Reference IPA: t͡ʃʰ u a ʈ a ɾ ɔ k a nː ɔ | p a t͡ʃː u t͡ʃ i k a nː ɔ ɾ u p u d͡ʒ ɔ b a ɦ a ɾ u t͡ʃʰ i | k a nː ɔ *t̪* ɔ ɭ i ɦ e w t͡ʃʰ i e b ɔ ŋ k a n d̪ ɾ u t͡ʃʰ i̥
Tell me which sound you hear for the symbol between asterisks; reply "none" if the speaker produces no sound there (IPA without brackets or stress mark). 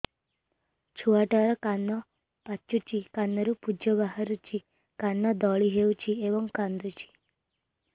d̪